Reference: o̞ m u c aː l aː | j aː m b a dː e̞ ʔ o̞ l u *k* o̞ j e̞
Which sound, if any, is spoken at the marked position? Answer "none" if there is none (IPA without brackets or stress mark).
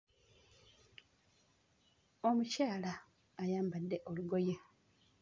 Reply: ɡ